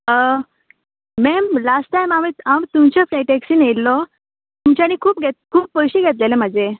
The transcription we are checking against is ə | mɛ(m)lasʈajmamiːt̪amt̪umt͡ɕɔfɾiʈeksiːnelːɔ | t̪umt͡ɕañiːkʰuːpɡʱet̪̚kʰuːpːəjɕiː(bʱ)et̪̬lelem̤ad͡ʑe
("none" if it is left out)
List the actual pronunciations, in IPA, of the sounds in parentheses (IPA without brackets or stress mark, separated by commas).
m, ɡʱ